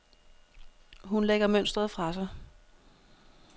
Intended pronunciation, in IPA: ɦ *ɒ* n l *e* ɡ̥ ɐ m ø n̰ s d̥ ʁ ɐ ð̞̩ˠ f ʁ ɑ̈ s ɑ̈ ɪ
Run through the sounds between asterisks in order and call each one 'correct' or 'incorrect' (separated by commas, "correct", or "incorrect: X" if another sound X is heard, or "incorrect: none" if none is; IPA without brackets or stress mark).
incorrect: u, correct